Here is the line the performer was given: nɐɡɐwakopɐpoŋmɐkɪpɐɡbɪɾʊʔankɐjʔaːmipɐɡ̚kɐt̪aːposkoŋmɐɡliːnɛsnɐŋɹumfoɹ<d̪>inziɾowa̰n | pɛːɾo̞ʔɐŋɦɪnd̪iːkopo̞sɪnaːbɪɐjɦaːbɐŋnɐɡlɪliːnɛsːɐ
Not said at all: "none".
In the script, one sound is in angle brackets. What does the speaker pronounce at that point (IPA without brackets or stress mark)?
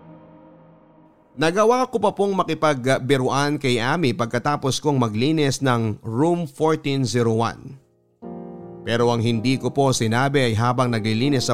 t̪